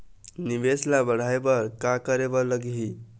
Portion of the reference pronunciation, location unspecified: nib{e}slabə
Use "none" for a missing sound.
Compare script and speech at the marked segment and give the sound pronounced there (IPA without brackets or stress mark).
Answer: e